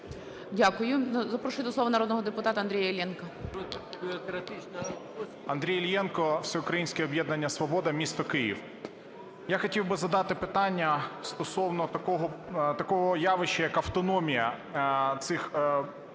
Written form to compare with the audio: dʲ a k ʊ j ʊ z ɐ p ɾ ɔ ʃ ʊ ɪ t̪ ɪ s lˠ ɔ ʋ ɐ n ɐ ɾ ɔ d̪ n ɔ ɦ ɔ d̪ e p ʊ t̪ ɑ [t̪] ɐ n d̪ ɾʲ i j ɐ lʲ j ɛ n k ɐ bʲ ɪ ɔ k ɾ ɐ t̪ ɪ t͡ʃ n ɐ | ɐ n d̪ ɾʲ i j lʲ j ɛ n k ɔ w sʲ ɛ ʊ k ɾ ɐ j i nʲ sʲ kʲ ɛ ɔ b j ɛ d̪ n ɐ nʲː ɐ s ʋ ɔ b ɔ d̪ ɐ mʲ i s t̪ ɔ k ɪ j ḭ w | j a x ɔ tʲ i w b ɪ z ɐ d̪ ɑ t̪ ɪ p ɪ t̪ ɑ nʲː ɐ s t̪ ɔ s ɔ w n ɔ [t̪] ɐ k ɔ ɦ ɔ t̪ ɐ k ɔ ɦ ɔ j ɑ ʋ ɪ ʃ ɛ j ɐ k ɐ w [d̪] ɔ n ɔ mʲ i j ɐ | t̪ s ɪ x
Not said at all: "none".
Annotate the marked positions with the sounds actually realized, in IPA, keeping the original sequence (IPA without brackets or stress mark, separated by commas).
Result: t̪, t̪, t̪